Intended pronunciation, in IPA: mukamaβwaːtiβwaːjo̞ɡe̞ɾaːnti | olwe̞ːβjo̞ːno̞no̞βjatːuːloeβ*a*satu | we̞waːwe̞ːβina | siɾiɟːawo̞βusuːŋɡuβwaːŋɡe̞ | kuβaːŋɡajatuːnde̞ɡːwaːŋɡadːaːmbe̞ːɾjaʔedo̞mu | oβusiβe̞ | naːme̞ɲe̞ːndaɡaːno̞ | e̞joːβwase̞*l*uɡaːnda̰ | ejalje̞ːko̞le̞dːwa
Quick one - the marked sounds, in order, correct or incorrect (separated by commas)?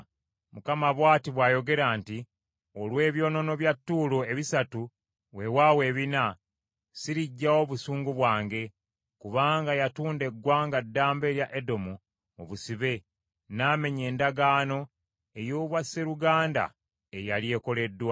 incorrect, incorrect